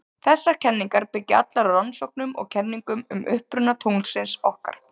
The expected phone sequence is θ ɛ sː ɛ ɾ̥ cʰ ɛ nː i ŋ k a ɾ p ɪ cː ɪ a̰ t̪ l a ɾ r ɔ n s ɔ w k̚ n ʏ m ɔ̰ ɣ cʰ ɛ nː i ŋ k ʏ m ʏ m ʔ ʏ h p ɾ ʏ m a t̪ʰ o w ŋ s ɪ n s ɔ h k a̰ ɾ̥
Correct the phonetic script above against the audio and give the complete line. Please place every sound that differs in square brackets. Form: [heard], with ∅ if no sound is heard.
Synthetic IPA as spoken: θ ɛ sː [a] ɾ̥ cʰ ɛ nː i ŋ k a ɾ p ɪ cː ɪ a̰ t̪ l a ɾ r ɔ n s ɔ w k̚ n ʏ m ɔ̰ ɣ cʰ ɛ nː i ŋ k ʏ m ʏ m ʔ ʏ h p ɾ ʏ [n] a t̪ʰ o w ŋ s ɪ n s ɔ h k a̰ ɾ̥